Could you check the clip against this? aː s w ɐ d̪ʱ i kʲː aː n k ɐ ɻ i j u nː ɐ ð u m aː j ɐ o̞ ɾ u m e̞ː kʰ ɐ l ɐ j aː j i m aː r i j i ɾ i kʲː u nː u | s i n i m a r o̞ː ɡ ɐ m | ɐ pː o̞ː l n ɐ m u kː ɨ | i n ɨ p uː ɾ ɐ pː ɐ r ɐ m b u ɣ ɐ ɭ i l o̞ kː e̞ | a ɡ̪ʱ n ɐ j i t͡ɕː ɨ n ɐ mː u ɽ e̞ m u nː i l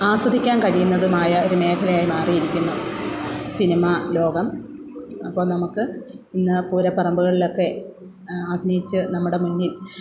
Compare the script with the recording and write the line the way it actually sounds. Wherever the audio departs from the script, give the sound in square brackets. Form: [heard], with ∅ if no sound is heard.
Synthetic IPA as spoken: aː s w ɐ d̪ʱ i kʲː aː n k ɐ ɻ i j u nː ɐ ð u m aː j ɐ o̞ ɾ u m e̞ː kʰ ɐ l ɐ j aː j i m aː r i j i ɾ i kʲː u nː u | s i n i m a [l] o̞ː ɡ ɐ m | ɐ pː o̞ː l n ɐ m u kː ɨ | i [nː] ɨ p uː ɾ ɐ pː ɐ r ɐ m b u ɣ ɐ ɭ i l o̞ kː e̞ | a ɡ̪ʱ n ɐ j i t͡ɕː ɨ n ɐ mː u ɽ e̞ m u nː i l